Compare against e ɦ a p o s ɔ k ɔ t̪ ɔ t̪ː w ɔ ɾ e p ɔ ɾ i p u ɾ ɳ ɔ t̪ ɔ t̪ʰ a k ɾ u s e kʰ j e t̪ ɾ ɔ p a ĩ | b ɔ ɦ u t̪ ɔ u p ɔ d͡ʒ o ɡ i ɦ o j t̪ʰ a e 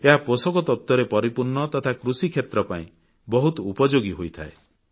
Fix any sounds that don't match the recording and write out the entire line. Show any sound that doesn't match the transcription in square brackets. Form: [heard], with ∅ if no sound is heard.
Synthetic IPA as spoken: e ɦ a p o s ɔ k ɔ t̪ ɔ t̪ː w ɔ ɾ e p ɔ ɾ i p u ɾ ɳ ɔ t̪ ɔ t̪ʰ a k ɾ u s [i] kʰ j e t̪ ɾ ɔ p a ĩ | b ɔ ɦ u t̪ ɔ u p ɔ d͡ʒ o ɡ i ɦ o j t̪ʰ a e